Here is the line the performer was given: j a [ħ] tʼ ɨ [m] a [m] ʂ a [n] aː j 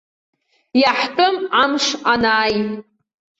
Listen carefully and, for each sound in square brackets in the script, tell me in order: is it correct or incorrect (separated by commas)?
correct, correct, correct, correct